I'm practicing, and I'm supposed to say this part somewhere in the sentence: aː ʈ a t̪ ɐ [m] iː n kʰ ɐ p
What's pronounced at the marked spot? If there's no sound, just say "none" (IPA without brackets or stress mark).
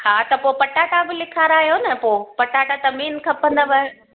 m